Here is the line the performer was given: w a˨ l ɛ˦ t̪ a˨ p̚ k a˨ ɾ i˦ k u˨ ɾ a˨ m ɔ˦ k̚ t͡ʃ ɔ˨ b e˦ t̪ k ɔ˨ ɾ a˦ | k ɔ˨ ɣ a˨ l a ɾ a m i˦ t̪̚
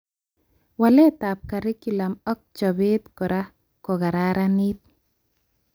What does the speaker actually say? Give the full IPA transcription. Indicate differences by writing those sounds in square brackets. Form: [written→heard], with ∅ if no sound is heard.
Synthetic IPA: w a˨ l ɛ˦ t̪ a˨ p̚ k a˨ ɾ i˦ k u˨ [ɾ→l] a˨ m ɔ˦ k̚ t͡ʃ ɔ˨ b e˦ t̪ k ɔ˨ ɾ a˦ | k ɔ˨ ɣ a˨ [l→ɾ] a ɾ a [m→n] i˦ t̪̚